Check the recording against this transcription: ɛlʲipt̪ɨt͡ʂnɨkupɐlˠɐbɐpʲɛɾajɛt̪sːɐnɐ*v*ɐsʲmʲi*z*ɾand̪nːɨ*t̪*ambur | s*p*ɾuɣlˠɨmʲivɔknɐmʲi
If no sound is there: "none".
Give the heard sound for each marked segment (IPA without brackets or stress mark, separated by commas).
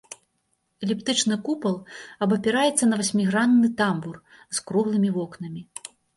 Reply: v, ɣ, t̪, k